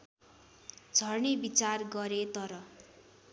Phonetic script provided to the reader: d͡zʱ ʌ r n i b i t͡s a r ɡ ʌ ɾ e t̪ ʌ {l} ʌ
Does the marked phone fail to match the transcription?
yes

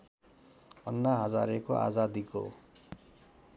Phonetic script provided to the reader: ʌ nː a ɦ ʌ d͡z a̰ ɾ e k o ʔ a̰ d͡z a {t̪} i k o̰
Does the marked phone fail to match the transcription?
yes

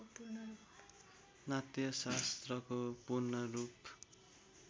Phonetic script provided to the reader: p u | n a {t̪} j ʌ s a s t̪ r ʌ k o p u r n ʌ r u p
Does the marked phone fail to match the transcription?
no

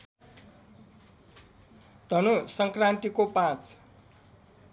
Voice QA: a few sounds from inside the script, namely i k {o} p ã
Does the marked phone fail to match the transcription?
no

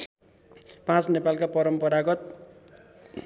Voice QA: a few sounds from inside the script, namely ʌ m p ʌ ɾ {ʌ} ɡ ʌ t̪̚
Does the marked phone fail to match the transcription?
yes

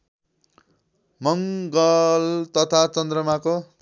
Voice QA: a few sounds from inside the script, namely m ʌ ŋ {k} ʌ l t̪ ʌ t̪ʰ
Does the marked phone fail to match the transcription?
yes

